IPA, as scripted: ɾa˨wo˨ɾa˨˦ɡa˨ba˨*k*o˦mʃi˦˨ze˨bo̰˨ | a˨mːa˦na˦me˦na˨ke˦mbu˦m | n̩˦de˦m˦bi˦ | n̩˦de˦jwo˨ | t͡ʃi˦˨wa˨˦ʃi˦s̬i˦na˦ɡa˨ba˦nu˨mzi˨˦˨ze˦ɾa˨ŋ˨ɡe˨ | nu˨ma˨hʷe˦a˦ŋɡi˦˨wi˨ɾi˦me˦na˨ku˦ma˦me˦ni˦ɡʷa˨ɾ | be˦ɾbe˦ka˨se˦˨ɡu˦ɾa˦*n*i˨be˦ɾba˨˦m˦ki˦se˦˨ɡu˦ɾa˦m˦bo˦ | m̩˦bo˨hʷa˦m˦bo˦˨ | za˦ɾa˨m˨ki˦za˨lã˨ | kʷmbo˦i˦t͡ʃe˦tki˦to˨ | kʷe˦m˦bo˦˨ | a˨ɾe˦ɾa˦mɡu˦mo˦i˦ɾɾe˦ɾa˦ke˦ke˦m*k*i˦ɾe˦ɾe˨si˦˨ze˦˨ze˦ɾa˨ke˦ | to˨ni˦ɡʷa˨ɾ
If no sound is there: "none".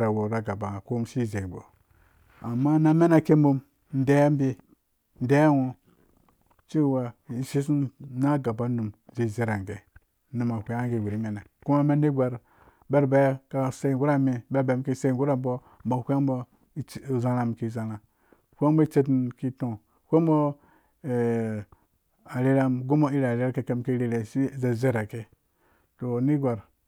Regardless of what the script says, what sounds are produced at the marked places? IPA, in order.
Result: k, m, k

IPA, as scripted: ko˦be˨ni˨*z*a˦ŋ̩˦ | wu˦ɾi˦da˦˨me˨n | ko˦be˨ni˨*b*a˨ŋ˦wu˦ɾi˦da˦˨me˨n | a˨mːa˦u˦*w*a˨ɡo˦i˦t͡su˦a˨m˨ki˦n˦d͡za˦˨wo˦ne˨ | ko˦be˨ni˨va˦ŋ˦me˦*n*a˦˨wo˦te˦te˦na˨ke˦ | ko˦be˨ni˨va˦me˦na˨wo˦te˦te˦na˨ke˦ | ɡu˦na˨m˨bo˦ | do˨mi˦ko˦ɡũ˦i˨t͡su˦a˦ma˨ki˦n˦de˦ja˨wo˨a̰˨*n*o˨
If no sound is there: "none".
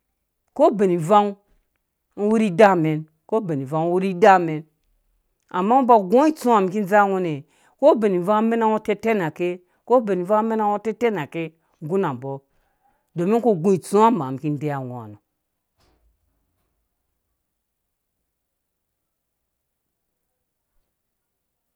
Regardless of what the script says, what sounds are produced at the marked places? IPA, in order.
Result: v, v, b, n, n

